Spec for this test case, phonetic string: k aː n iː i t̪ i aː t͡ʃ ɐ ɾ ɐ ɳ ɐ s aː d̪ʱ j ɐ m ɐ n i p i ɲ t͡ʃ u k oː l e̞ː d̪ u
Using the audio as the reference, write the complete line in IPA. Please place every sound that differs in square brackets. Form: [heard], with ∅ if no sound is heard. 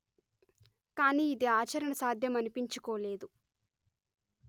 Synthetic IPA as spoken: k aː n iː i [d̪] i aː t͡ʃ ɐ ɾ ɐ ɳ ɐ s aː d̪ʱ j ɐ m ɐ n i p i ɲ t͡ʃ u k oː l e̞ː d̪ u